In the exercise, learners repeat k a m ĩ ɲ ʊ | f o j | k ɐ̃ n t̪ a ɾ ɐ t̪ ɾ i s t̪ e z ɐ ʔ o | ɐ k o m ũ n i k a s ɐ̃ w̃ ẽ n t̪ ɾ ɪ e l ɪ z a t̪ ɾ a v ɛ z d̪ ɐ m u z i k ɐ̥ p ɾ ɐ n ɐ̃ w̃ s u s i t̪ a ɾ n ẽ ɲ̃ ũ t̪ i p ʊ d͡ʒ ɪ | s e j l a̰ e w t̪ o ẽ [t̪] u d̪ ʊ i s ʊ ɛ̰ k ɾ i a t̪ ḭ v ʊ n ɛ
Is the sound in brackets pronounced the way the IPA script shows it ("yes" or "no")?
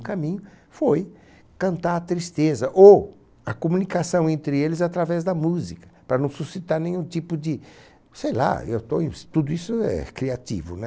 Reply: yes